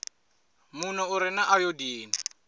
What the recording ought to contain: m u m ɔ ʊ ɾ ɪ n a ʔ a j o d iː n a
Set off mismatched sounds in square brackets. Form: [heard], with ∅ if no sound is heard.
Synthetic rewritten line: m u [n] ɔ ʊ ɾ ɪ n a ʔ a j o d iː n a